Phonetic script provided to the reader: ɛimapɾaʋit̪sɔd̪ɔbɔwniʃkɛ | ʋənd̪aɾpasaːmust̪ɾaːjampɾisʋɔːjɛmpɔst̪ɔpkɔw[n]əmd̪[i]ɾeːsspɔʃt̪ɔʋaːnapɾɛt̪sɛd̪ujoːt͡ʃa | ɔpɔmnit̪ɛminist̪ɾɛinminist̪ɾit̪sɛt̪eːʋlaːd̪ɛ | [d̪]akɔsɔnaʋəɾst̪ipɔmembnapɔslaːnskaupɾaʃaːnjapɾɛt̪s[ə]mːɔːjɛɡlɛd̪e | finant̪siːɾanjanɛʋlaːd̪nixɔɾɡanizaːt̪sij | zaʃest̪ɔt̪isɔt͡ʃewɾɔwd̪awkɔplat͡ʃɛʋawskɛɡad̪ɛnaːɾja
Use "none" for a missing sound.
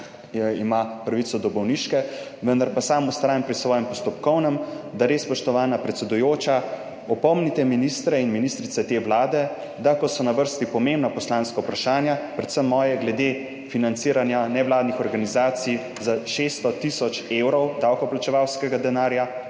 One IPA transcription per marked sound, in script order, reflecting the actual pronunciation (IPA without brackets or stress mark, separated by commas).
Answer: n, a, d̪, ə